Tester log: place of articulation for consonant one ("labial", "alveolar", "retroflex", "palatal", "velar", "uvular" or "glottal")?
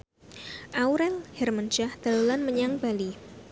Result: glottal